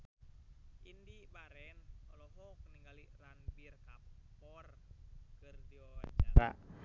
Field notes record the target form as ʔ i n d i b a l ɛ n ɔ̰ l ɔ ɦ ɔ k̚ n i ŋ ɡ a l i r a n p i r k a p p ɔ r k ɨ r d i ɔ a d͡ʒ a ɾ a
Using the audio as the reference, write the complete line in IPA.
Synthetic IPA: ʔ i n d i b a ɾ ɛ n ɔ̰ l ɔ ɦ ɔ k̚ n i ŋ ɡ a l i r a n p i r k a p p ɔ r k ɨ r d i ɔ a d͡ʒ a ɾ a